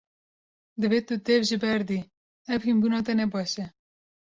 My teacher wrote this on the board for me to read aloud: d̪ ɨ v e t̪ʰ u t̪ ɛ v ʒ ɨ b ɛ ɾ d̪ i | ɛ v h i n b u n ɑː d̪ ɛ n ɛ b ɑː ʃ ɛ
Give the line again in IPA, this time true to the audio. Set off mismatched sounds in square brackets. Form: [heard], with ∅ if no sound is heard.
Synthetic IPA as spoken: d̪ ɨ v e [t̪] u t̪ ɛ v ʒ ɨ b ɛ ɾ d̪ i | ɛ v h i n b u n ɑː [t̪] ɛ n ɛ b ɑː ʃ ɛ